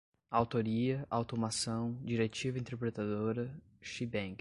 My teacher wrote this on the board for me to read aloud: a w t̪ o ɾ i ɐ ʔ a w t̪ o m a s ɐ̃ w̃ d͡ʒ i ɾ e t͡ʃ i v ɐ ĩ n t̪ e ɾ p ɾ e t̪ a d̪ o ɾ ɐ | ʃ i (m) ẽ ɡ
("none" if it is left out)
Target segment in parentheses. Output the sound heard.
b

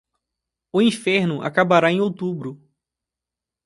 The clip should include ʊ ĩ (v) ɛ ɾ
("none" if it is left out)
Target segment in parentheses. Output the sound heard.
f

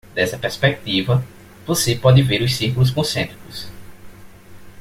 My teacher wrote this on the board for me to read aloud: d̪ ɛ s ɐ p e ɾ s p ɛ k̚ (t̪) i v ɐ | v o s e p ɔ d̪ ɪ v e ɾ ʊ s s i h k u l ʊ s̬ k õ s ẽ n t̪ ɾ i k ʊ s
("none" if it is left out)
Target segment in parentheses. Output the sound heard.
t̪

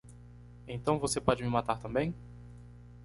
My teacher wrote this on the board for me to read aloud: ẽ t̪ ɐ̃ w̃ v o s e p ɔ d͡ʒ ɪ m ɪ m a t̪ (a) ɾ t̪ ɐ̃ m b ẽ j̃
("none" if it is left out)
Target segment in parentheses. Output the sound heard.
a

